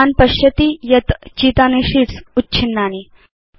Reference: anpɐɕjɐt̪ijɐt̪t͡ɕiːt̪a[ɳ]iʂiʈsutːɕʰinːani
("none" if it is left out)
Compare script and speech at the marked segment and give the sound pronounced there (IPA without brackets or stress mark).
n